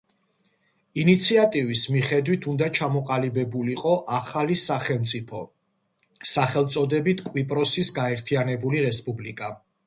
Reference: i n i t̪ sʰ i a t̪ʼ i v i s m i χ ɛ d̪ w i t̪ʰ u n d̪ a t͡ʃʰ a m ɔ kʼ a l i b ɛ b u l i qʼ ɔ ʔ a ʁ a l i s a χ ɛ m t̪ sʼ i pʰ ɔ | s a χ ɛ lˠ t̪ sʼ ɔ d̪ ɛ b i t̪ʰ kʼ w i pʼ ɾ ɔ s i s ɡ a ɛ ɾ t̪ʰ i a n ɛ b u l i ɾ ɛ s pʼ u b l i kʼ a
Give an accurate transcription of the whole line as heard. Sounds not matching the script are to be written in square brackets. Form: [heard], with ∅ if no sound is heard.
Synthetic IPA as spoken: i n i t̪ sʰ i a t̪ʼ i v i s m i χ ɛ d̪ w i t̪ʰ u n d̪ a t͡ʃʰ a m ɔ [qʼ] a l i b ɛ b u l i qʼ ɔ ʔ a [χ] a l i s a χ ɛ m t̪ sʼ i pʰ ɔ | s a χ ɛ lˠ t̪ sʼ ɔ d̪ ɛ b i t̪ʰ kʼ w i pʼ ɾ ɔ s i s ɡ a ɛ ɾ t̪ʰ i a n ɛ b u l i ɾ ɛ s pʼ u b l i kʼ a

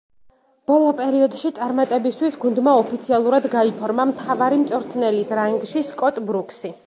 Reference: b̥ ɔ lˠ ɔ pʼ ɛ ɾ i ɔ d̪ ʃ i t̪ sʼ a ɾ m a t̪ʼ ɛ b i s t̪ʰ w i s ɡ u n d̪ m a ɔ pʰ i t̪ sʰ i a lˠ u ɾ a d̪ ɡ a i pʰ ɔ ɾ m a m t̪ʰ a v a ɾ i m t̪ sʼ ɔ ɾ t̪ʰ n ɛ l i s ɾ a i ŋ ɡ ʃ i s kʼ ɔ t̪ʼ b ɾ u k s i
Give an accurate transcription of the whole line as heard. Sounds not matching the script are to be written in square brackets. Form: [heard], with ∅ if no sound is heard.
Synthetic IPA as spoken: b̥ ɔ lˠ ɔ pʼ ɛ ɾ i ɔ d̪ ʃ i t̪ sʼ a ɾ m a t̪ʼ ɛ b i s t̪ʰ w i s ɡ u n d̪ m a ɔ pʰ i t̪ sʰ i a lˠ u ɾ a d̪ ɡ a i pʰ ɔ ɾ m a m t̪ʰ a v a ɾ i m t̪ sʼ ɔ ɾ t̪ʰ n ɛ l i s ɾ a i ŋ ɡ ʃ i s kʼ ɔ t̪ʼ b ɾ u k s i

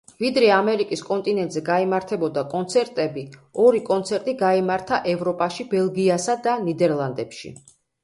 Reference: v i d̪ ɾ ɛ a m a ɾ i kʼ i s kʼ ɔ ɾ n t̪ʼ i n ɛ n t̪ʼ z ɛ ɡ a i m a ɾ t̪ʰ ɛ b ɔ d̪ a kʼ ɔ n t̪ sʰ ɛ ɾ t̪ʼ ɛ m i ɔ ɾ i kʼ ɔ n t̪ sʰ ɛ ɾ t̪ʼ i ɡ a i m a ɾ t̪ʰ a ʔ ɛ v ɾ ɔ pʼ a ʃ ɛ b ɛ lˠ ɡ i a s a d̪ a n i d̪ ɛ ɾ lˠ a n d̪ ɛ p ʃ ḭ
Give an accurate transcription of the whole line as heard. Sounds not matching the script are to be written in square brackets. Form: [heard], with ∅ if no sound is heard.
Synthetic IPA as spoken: v i d̪ ɾ ɛ a m [ɛ] ɾ i kʼ i s kʼ ɔ [∅] n t̪ʼ i n ɛ n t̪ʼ z ɛ ɡ a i m a ɾ t̪ʰ ɛ b ɔ d̪ a kʼ ɔ n t̪ sʰ ɛ ɾ t̪ʼ ɛ [b] i ɔ ɾ i kʼ ɔ n t̪ sʰ ɛ ɾ t̪ʼ i ɡ a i m a ɾ t̪ʰ a ʔ ɛ v ɾ ɔ pʼ a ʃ [i] b ɛ lˠ ɡ i a s a d̪ a n i d̪ ɛ ɾ lˠ a n d̪ ɛ p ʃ ḭ

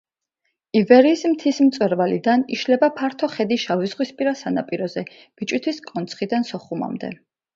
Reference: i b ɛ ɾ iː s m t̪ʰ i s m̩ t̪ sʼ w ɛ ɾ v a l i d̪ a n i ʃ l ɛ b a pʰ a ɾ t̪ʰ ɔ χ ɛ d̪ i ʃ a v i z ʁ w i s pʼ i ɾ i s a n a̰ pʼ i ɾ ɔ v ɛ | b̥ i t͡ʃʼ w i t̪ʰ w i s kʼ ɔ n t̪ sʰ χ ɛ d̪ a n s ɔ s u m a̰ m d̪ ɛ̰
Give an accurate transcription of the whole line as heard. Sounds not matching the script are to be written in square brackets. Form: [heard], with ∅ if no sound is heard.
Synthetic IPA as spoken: i [v] ɛ ɾ iː s m t̪ʰ i s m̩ t̪ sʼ w ɛ ɾ v a l i d̪ a n i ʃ l ɛ b a pʰ a ɾ t̪ʰ ɔ χ ɛ d̪ i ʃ a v i z ʁ w i s pʼ i ɾ [a] s a n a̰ pʼ i ɾ ɔ [z] ɛ | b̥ i t͡ʃʼ w i t̪ʰ w i s kʼ ɔ n t̪ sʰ χ [i] d̪ a n s ɔ [χ] u m a̰ m d̪ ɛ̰

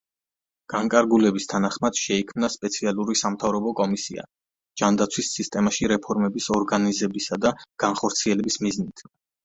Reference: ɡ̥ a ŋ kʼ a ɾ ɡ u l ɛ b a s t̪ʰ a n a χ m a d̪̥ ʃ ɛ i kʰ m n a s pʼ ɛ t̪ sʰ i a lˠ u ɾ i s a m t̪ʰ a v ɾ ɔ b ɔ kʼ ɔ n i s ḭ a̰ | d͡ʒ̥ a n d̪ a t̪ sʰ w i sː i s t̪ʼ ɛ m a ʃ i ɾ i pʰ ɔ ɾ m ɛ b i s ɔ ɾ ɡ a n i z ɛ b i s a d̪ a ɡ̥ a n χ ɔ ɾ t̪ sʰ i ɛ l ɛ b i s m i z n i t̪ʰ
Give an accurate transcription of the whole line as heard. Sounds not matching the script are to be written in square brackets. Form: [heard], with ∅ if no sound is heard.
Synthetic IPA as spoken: ɡ̥ a ŋ kʼ a ɾ ɡ u l ɛ b [i] s t̪ʰ a n a χ m a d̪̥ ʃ ɛ i kʰ m n a s pʼ ɛ t̪ sʰ i a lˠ u ɾ i s a m t̪ʰ a v ɾ ɔ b ɔ kʼ ɔ [m] i s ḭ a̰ | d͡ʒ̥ a n d̪ a t̪ sʰ w i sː i s t̪ʼ ɛ m a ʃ i ɾ [ɛ] pʰ ɔ ɾ m ɛ b i s ɔ ɾ ɡ a n i z ɛ b i s a d̪ a ɡ̥ a n χ ɔ ɾ t̪ sʰ i ɛ l ɛ b i s m i z n i t̪ʰ

